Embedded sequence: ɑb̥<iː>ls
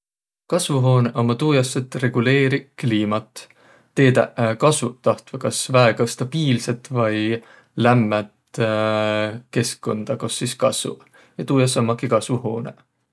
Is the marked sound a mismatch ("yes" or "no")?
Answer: no